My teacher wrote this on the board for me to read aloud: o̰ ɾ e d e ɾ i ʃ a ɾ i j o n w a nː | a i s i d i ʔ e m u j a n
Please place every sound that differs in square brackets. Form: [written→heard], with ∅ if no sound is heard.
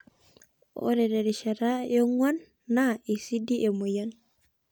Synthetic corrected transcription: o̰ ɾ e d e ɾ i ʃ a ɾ [i→a] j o [n→ŋ] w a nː | a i s i d i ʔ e m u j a n